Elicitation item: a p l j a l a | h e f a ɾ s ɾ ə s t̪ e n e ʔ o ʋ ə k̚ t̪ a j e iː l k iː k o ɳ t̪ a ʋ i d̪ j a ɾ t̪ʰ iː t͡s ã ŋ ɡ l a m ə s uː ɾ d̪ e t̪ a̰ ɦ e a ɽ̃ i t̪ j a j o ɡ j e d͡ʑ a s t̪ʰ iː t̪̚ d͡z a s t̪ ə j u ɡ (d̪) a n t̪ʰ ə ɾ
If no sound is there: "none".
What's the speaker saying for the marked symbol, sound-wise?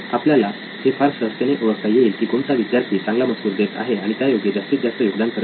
d̪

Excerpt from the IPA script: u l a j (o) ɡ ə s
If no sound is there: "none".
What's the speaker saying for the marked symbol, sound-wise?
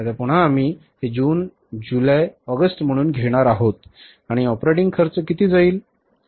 ɔ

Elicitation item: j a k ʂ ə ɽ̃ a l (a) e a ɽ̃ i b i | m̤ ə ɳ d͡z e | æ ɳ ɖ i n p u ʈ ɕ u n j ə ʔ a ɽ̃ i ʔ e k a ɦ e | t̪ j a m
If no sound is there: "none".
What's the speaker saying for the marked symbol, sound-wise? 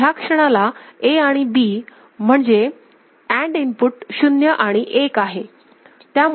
a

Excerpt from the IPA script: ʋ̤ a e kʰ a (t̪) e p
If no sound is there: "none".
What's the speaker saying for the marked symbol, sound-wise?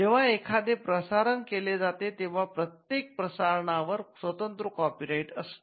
d̪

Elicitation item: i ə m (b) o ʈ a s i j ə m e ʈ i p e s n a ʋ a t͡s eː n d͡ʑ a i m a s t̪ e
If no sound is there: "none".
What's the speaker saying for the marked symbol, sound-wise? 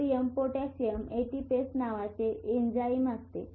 p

